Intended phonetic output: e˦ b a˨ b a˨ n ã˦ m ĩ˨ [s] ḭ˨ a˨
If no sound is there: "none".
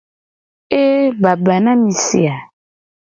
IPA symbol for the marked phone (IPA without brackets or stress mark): s